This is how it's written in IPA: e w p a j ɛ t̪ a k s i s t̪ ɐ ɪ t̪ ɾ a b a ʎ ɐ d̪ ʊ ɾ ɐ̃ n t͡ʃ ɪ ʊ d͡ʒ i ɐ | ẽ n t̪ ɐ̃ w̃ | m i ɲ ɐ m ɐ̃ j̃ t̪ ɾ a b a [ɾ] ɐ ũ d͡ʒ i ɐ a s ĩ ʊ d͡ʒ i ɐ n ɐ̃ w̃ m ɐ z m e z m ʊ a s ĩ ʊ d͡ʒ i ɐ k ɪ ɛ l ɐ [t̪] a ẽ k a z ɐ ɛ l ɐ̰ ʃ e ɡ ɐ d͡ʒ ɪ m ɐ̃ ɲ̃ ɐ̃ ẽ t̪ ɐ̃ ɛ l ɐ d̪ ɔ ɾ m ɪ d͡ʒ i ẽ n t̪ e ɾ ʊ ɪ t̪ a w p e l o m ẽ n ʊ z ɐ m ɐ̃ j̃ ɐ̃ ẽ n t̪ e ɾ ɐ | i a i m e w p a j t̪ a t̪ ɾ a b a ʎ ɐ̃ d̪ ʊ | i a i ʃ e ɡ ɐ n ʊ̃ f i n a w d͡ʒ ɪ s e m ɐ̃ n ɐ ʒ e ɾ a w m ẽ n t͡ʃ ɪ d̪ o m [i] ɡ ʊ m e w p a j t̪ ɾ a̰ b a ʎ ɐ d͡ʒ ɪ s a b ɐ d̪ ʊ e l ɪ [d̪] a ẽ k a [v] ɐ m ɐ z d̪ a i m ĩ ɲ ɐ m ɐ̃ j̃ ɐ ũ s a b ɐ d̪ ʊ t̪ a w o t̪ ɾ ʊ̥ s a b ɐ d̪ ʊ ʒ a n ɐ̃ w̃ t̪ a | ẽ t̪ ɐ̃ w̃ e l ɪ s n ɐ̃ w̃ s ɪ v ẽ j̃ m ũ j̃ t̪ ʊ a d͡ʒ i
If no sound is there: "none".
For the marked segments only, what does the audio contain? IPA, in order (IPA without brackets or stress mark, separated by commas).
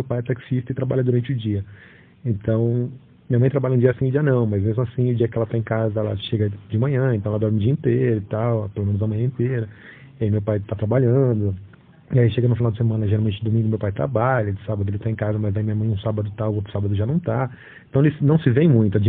ʎ, t̪, ĩ, t̪, z